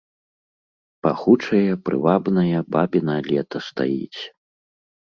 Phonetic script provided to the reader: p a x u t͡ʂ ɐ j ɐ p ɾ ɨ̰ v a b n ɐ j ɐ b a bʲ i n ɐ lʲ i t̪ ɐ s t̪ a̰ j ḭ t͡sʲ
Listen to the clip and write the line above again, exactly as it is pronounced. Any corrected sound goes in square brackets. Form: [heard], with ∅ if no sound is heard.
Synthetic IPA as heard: p a x u t͡ʂ ɐ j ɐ p ɾ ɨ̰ v a b n ɐ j ɐ b a bʲ i n ɐ lʲ [ɛ] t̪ ɐ s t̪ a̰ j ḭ t͡sʲ